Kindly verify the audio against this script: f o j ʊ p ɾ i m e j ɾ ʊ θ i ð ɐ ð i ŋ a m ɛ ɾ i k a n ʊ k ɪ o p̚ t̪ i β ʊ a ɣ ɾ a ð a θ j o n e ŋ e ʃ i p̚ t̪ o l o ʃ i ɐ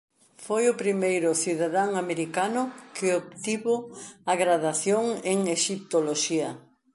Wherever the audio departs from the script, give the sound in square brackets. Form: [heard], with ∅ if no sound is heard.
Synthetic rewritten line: f o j ʊ p ɾ i m e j ɾ ʊ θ i ð [a] ð [a] ŋ a m [e] ɾ i k a n ʊ k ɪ o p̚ t̪ i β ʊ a ɣ ɾ a ð a θ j o [ŋ] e ŋ e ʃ i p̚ t̪ o l o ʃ i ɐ